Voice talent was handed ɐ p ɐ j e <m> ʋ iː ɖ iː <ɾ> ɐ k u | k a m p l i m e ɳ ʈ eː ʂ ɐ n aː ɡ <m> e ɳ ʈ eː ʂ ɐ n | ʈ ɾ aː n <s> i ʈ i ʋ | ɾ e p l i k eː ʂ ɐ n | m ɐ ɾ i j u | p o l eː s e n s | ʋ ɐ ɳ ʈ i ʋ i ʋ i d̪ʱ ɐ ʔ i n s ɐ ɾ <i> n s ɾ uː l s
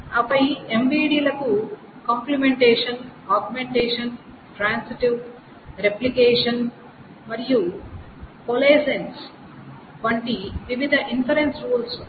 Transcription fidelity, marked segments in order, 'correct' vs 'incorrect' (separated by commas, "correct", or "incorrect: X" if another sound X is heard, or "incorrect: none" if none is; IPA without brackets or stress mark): correct, incorrect: l, correct, correct, incorrect: e